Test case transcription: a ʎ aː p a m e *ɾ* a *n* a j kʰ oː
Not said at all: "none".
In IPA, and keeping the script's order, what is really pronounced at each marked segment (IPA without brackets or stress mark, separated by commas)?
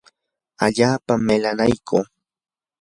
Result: l, n